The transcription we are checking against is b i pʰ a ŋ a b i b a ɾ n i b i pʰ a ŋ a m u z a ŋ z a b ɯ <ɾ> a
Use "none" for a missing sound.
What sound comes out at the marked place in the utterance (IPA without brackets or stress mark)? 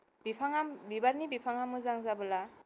l